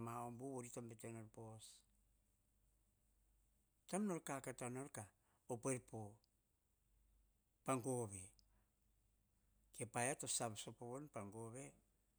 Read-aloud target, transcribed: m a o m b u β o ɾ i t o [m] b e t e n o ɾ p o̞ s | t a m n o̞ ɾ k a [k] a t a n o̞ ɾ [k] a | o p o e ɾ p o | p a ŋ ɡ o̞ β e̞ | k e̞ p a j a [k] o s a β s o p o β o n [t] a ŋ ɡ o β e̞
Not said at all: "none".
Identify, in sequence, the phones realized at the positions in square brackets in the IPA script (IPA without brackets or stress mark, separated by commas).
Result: m, k, k, t, p